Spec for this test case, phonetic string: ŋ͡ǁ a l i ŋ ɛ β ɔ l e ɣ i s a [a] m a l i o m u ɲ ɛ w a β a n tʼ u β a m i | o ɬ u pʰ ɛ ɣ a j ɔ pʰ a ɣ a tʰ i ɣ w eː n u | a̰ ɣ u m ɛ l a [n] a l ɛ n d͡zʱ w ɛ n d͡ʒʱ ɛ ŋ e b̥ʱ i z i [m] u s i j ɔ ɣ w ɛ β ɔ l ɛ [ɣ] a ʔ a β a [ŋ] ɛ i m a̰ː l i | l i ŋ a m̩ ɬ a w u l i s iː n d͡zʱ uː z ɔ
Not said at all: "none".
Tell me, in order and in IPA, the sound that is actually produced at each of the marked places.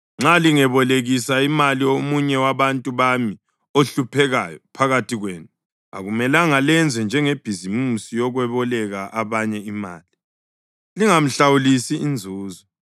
i, ŋ, m, ɣ, ɲ

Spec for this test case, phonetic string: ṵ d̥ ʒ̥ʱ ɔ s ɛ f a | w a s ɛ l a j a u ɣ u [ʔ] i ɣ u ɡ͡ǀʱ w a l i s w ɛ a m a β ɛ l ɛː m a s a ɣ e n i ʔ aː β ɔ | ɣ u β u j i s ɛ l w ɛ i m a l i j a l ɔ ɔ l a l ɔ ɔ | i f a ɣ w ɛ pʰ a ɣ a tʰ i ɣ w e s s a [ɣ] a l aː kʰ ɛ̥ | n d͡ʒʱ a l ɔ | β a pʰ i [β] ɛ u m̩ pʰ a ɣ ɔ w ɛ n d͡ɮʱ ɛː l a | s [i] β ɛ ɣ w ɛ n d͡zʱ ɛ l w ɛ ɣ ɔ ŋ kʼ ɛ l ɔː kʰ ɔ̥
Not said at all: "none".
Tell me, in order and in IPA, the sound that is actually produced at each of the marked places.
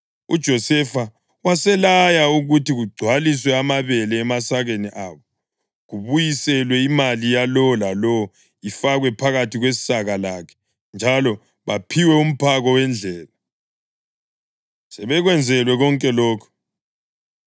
t, ɣ, w, ɛ

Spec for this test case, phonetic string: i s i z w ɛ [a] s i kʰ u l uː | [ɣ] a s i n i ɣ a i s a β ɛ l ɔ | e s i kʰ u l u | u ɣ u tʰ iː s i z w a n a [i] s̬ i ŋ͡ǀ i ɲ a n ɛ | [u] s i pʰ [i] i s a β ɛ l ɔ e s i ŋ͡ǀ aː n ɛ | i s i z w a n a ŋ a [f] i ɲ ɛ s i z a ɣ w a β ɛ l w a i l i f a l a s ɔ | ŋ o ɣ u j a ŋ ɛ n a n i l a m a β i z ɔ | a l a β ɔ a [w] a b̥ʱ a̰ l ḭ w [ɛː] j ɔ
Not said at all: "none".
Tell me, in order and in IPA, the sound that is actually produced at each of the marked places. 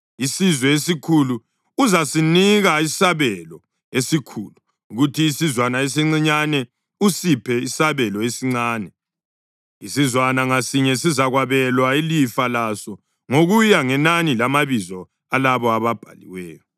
e, z, e, u, ɛ, s, β, ɛː

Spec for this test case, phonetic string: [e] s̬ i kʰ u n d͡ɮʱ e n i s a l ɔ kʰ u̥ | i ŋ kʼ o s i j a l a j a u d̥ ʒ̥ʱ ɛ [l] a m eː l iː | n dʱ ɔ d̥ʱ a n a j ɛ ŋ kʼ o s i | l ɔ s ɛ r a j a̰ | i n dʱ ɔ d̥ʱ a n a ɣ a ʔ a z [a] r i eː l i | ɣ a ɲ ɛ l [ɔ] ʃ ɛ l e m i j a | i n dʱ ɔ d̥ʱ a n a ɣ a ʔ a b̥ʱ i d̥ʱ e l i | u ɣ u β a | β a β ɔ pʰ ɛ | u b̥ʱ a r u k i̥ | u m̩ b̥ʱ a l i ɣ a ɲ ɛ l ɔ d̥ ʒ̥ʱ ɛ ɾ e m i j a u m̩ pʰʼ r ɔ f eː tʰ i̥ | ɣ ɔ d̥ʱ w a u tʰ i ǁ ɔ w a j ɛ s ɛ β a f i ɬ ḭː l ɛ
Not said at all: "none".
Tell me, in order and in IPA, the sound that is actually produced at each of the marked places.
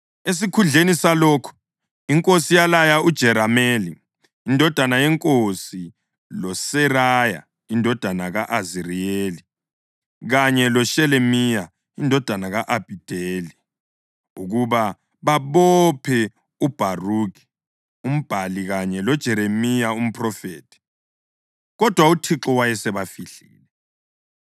e, ɾ, i, ɔ

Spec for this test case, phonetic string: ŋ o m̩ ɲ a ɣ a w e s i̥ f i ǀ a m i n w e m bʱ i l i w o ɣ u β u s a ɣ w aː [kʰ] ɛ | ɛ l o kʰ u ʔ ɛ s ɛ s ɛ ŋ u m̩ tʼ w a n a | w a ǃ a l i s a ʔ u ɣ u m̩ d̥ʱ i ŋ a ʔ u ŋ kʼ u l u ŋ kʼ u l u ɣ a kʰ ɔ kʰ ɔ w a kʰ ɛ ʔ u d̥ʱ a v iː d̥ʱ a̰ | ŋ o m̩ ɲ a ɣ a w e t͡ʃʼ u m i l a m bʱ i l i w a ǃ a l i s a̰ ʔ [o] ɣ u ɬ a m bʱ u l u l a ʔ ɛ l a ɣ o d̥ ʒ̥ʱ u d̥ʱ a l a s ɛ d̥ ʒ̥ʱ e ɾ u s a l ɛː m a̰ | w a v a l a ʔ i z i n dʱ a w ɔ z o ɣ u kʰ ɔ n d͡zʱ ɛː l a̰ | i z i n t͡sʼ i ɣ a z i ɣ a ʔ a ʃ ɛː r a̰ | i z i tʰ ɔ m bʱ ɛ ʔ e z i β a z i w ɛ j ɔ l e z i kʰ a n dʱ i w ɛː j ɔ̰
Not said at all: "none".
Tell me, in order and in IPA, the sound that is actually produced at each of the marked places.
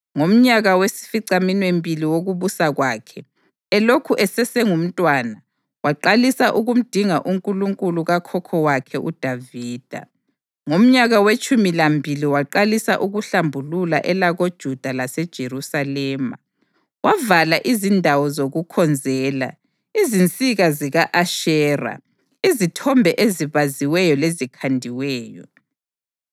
kʰ, u

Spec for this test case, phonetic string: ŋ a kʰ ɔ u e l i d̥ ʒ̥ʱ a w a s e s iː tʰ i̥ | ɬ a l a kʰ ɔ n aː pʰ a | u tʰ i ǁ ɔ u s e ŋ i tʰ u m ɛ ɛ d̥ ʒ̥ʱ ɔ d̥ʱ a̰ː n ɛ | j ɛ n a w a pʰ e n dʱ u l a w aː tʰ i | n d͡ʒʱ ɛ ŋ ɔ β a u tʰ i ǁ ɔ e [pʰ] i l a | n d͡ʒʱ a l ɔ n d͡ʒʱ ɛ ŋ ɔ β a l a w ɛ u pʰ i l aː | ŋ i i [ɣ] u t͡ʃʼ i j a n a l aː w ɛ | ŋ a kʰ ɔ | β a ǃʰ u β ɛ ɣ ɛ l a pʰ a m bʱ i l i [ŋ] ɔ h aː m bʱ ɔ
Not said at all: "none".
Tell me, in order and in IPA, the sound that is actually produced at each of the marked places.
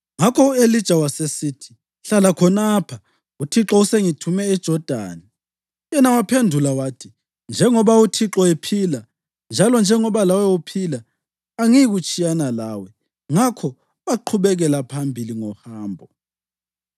pʰ, ɣ, ŋ

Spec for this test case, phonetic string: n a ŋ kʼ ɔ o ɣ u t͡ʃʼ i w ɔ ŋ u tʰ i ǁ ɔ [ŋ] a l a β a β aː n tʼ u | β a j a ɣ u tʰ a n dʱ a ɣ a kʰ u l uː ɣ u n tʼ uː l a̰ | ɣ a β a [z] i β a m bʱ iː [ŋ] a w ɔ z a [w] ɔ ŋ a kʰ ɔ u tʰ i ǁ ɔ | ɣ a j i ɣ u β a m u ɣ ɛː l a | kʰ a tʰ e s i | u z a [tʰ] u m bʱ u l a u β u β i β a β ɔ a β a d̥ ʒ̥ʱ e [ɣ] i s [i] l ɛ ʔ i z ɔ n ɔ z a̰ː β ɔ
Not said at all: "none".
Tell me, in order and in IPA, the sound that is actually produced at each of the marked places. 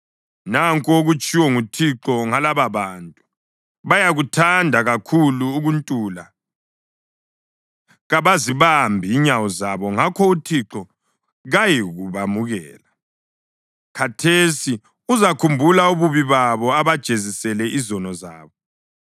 ŋ, z, ɲ, β, kʰ, z, ɛ

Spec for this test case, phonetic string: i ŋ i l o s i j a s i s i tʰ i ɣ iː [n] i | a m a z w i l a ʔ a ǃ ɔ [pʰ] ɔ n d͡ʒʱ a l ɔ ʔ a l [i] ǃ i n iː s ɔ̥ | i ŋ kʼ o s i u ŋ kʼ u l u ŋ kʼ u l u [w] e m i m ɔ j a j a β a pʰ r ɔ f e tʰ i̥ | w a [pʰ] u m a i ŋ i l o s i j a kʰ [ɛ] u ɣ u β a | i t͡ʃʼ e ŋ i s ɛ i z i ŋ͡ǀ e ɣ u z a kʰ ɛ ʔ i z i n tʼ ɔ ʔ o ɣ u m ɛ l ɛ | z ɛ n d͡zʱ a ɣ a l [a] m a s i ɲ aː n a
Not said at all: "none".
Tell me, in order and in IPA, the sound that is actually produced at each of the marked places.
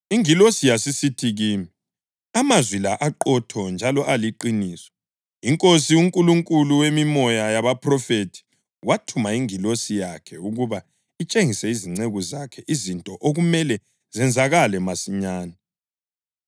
m, tʰ, i, w, tʰ, ɛ, ɛ

